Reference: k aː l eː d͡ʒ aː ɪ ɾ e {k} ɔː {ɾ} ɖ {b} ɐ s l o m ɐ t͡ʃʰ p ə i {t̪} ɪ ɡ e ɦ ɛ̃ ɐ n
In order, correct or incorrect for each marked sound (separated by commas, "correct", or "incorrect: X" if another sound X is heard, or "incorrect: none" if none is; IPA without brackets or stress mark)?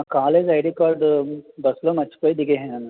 correct, correct, correct, incorrect: d̪